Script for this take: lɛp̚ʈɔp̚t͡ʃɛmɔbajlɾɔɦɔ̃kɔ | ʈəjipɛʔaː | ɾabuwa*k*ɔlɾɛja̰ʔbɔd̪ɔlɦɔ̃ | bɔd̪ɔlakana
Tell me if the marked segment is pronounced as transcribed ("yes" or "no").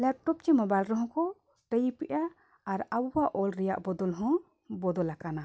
no